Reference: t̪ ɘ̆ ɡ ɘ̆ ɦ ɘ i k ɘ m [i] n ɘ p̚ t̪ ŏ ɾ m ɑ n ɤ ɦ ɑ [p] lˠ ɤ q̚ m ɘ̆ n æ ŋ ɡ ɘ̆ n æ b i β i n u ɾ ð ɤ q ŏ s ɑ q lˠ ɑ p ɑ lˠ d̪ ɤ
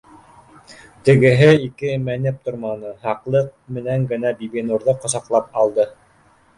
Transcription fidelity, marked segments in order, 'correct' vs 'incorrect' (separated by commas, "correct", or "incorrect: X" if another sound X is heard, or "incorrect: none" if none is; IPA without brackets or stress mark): incorrect: æ, incorrect: q